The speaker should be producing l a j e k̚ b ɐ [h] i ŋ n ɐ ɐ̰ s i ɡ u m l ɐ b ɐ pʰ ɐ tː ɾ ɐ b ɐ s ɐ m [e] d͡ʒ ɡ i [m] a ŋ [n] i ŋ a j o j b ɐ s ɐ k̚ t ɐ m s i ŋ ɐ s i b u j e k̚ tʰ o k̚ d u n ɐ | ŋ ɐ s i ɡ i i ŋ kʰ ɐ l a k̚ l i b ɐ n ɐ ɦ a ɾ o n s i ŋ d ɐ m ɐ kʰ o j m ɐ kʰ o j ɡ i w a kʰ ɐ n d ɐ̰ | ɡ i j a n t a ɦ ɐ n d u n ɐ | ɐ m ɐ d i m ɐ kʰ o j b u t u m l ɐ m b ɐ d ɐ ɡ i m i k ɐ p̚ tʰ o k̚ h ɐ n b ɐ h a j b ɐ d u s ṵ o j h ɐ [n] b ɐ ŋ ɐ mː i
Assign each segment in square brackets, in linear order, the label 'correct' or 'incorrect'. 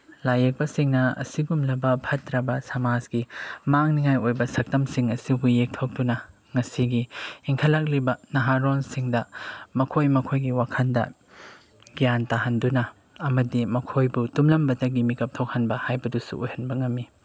incorrect: s, incorrect: a, correct, correct, correct

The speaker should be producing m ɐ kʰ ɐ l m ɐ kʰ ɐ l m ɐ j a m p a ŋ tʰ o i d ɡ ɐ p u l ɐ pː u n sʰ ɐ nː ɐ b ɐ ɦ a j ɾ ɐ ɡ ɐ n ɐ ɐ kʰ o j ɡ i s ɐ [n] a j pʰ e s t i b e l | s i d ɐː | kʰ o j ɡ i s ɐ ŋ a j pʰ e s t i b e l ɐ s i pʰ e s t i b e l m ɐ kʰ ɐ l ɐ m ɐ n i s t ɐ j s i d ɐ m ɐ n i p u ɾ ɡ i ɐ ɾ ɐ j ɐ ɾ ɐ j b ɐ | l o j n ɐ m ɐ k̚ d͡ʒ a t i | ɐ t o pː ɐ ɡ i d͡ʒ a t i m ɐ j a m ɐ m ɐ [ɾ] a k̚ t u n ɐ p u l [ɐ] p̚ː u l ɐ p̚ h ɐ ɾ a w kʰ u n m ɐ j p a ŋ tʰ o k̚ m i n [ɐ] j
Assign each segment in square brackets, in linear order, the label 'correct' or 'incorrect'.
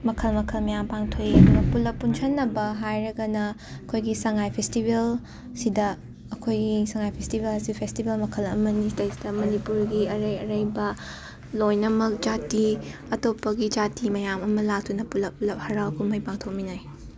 incorrect: ŋ, incorrect: l, correct, incorrect: a

